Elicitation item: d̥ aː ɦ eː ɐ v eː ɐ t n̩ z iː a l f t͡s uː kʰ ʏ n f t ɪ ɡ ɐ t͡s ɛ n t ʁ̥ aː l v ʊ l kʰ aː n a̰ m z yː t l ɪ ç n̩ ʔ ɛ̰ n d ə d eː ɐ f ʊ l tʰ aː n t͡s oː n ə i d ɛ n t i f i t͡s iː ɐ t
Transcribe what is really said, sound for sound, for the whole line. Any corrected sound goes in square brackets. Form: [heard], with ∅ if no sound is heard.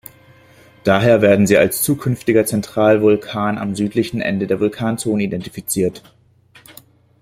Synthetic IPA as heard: d̥ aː ɦ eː ɐ v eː ɐ [d] n̩ z iː a l [s] t͡s uː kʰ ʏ n f t ɪ ɡ ɐ t͡s ɛ n t ʁ̥ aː l v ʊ l kʰ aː n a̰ m z yː t l ɪ ç n̩ ʔ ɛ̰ n d ə d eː ɐ [v] ʊ l [kʰ] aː n t͡s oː n ə i d ɛ n t i f i t͡s iː ɐ t